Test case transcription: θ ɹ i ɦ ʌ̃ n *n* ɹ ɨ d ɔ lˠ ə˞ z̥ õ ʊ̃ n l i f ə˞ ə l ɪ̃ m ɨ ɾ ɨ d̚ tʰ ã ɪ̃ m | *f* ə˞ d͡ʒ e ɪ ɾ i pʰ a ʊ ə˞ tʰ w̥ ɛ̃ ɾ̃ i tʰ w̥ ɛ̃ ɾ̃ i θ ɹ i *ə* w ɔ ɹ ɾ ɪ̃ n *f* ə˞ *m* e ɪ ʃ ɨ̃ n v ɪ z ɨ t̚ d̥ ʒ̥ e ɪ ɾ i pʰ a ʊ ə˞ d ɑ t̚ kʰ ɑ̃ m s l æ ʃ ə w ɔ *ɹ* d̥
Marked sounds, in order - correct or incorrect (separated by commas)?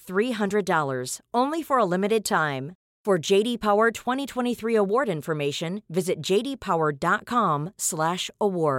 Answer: incorrect, correct, correct, correct, correct, correct